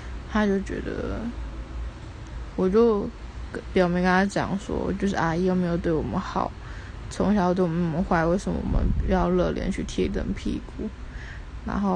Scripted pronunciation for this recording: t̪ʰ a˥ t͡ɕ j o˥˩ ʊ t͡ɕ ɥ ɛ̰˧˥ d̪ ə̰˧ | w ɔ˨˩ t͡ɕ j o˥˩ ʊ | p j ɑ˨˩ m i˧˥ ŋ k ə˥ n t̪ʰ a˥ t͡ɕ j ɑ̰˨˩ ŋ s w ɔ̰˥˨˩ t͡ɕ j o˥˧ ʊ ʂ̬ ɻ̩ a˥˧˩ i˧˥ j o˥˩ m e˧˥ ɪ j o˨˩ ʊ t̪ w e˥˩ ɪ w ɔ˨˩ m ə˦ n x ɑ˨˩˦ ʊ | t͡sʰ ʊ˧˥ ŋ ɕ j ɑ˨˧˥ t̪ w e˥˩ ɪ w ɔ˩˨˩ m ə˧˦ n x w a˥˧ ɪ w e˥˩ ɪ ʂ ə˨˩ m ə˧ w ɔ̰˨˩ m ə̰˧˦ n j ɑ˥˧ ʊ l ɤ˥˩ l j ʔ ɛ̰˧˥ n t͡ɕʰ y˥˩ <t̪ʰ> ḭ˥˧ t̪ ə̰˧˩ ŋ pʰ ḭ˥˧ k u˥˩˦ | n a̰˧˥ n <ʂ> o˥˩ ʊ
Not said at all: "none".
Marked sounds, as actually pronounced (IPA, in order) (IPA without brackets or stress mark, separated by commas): t̪ʰ, x